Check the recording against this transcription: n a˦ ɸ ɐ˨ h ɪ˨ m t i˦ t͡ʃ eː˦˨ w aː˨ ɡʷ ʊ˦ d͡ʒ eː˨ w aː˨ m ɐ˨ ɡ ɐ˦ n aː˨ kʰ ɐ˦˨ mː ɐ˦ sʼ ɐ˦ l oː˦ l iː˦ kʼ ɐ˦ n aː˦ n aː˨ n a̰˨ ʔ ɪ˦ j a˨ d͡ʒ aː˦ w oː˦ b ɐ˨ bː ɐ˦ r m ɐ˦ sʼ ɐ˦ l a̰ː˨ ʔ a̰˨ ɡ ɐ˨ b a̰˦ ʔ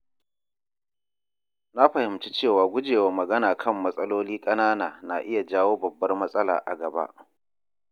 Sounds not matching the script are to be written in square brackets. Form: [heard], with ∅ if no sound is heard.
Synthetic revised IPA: n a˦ ɸ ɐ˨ h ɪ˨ m [t͡ʃ] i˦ t͡ʃ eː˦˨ w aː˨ ɡʷ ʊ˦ d͡ʒ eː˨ w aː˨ m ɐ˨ ɡ ɐ˦ n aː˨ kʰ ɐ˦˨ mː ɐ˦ sʼ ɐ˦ l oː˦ l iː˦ kʼ ɐ˦ n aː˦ n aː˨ n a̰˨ ʔ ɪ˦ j a˨ d͡ʒ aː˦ w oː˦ b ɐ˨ bː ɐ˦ r m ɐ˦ sʼ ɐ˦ l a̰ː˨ ʔ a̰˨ ɡ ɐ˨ b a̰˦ ʔ

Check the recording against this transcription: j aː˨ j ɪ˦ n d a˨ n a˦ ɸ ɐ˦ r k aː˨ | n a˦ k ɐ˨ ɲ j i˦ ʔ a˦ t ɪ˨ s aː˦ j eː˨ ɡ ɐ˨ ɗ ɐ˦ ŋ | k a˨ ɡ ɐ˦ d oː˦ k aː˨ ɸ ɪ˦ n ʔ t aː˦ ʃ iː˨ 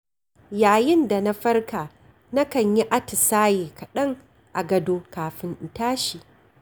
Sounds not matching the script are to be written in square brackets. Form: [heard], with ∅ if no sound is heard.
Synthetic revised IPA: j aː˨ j ɪ˦ n d a˨ n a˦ ɸ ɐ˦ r k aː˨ | n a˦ k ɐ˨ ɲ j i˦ ʔ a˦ t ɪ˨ s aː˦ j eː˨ [k] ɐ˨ ɗ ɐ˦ ŋ | [ʔ] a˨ ɡ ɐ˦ d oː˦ k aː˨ ɸ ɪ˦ n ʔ t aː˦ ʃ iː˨

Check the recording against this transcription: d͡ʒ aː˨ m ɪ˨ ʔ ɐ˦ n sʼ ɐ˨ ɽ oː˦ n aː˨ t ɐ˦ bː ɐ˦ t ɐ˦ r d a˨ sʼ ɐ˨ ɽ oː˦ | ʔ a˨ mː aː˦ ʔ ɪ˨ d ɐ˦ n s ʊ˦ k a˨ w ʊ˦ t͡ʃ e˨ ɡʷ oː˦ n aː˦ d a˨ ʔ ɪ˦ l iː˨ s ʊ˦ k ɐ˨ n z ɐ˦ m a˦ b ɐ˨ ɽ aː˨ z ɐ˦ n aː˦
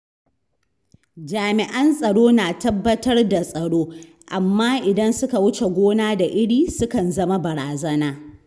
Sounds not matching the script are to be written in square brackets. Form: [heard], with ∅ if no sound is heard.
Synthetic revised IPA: d͡ʒ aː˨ m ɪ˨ ʔ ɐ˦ n sʼ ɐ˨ ɽ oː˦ n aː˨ t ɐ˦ bː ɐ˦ t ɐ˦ r d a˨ sʼ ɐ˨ ɽ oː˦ | ʔ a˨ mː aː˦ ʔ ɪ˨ d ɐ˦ n s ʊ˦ k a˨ w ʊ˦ t͡ʃ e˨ ɡʷ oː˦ n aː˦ d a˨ ʔ ɪ˦ [ɽ] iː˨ s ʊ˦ k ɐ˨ n z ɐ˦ m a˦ b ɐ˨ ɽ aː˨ z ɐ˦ n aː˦

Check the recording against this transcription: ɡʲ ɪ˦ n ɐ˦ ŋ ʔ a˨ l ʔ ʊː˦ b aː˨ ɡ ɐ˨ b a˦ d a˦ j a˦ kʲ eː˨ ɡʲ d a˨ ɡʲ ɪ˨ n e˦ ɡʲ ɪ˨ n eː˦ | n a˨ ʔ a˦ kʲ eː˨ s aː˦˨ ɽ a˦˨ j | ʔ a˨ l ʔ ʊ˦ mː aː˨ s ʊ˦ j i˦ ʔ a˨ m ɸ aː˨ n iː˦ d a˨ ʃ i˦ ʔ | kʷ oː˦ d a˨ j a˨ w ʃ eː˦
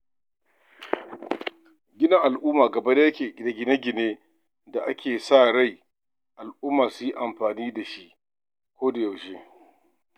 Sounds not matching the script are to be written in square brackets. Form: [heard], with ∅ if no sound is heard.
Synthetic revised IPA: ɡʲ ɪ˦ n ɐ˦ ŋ ʔ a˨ l ʔ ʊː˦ [m] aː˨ ɡ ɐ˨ b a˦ d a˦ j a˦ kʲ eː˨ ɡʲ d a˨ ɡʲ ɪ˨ n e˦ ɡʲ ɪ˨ n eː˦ | [d] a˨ ʔ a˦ kʲ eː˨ s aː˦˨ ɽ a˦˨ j | ʔ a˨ l ʔ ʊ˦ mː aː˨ s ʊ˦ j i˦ ʔ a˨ m ɸ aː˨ n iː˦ d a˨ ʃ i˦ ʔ | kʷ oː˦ d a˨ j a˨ w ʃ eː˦

